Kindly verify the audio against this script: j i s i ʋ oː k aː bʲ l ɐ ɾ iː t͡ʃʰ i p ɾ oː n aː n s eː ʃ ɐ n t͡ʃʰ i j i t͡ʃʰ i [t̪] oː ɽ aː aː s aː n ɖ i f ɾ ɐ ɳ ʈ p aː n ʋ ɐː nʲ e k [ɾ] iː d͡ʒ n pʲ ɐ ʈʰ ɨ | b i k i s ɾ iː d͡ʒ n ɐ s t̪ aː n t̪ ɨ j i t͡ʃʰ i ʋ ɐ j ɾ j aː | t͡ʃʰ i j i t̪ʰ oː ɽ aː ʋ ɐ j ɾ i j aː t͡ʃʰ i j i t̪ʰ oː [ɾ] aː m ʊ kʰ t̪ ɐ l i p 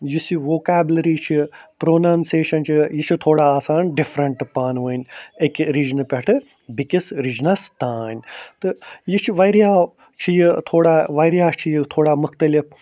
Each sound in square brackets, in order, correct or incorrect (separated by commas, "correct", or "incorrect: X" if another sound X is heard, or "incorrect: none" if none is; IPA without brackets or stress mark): incorrect: t̪ʰ, correct, incorrect: ɽ